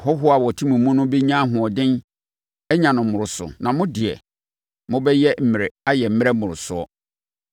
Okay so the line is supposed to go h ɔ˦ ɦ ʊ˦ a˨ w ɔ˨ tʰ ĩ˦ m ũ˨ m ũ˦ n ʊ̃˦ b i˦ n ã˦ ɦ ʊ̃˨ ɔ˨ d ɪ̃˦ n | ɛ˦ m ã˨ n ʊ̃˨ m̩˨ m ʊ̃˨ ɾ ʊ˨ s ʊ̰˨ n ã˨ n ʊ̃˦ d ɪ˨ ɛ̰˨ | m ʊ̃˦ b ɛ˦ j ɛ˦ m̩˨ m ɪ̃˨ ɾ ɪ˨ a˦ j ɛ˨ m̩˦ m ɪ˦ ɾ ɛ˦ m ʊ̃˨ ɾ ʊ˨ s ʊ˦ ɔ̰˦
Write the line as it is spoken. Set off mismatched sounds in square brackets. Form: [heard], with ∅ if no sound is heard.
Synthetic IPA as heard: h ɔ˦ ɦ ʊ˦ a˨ w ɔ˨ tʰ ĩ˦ m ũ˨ m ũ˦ n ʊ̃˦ b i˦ [ɲ] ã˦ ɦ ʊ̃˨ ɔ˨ d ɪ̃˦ n | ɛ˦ [ɲ] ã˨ n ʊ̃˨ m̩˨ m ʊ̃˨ ɾ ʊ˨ s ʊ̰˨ n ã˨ [m] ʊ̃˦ d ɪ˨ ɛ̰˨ | m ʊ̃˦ b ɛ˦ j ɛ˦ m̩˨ m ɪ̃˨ ɾ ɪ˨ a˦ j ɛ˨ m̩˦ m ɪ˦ ɾ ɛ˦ m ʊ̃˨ ɾ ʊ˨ s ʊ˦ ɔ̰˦